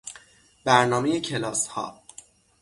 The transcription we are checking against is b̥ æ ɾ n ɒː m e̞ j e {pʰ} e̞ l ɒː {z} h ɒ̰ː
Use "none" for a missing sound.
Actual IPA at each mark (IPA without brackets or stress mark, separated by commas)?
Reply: cʰ, s